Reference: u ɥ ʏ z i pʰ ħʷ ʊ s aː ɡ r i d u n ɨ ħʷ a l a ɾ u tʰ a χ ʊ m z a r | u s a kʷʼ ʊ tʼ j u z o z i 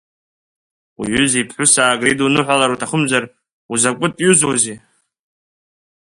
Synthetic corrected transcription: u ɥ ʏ z i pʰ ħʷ ʊ s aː ɡ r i d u n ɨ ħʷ a l a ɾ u tʰ a χ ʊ m z a r | u z a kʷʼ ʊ tʼ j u z o z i

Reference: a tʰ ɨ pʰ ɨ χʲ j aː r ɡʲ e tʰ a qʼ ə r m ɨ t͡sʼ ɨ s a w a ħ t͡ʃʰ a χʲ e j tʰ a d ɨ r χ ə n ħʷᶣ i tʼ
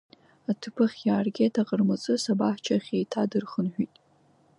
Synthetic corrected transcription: a tʰ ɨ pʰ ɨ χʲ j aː r ɡʲ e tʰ a qʼ ə r m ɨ t͡sʼ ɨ s a b a ħ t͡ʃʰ a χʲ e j tʰ a d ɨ r χ ə n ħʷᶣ i tʼ

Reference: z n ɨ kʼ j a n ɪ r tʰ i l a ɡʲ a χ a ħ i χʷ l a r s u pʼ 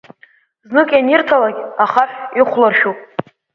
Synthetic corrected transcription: z n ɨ kʼ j a n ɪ r tʰ a l a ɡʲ a χ a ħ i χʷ l a r ʃ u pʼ

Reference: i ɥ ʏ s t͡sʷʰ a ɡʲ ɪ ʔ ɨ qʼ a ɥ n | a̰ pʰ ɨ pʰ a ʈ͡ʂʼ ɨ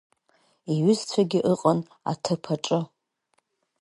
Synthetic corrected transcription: i ɥ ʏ z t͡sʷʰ a ɡʲ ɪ ʔ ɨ qʼ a n | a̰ tʰ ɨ pʰ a ʈ͡ʂʼ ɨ

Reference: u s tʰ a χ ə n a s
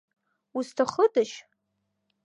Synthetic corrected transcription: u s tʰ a χ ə d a ʃ

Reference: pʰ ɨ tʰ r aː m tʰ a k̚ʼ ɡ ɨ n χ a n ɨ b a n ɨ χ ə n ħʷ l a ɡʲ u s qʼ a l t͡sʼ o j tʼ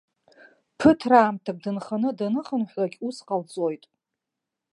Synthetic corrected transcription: pʰ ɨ tʰ r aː m tʰ a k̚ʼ d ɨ n χ a n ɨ d a n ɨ χ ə n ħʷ l a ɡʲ u s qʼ a l t͡sʼ o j tʼ

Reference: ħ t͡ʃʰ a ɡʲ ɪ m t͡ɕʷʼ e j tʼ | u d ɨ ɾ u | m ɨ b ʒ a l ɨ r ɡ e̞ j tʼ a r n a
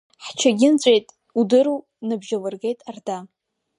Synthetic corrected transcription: ħ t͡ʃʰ a ɡʲ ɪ n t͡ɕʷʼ e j tʼ | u d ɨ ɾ u | n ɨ b ʒ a l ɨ r ɡ e̞ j tʼ a r d a

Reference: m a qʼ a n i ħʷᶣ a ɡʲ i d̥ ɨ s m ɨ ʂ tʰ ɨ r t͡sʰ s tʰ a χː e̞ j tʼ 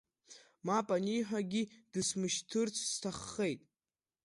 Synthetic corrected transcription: m a pʼ a n i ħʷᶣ a ɡʲ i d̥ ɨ s m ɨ ʃ tʰ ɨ r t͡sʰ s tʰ a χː e̞ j tʼ

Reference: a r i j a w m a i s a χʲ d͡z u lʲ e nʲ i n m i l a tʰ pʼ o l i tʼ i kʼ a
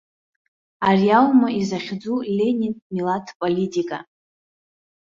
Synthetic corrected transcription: a r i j a w m a i z a χʲ d͡z u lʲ e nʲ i n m i l a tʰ pʼ o l i tʼ i kʼ a

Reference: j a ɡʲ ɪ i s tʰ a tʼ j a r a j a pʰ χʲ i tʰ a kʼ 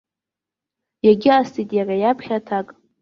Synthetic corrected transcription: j a ɡʲ ɪ a s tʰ i tʼ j a r a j a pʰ χʲ a tʰ a kʼ

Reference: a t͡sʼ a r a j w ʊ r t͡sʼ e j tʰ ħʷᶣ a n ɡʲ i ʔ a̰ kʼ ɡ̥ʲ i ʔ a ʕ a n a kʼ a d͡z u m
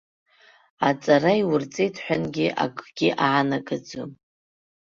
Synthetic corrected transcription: a t͡sʼ a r a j w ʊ r t͡sʼ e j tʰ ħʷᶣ a n ɡʲ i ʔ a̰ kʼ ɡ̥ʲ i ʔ a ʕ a n a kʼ a d͡z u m

